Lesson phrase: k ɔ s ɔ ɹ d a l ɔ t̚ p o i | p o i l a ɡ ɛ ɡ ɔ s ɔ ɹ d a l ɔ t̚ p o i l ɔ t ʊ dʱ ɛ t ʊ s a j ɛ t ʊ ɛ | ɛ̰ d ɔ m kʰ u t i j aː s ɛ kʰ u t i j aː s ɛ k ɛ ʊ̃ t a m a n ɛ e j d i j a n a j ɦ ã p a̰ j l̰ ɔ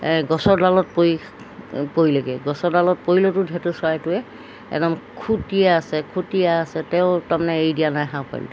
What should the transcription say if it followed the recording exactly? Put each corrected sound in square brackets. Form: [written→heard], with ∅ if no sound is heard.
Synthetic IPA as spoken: [k→ɡ] ɔ s ɔ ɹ d a l ɔ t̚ p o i | p o i l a ɡ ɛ ɡ ɔ s ɔ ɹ d a l ɔ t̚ p o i l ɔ t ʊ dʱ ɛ t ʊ s a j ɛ t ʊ ɛ | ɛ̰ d ɔ m kʰ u t i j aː s ɛ kʰ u t i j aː s ɛ [k→t] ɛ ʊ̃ t a m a n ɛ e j d i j a n a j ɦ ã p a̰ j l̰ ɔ